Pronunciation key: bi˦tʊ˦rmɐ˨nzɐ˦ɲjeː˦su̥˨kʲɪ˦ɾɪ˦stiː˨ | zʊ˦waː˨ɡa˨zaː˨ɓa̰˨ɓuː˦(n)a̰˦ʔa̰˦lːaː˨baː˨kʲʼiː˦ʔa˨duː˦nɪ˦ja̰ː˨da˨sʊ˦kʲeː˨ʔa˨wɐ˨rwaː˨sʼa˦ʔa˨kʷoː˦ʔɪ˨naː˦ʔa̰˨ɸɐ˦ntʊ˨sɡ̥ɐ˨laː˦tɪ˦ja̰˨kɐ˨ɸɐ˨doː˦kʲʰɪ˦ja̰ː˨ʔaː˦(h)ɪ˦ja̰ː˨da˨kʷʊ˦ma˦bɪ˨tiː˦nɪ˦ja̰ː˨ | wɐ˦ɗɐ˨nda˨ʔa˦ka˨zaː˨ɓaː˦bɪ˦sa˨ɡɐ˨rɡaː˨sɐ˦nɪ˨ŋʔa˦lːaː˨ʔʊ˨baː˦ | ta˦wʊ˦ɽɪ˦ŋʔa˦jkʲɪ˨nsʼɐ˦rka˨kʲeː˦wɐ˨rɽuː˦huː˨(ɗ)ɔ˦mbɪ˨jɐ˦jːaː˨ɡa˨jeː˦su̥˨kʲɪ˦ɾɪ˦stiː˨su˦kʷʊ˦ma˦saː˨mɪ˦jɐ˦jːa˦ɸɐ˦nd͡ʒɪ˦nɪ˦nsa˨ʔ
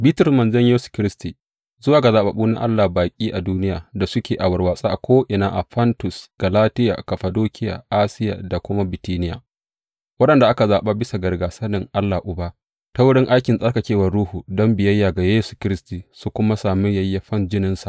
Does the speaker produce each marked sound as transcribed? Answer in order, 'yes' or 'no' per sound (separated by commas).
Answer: yes, no, no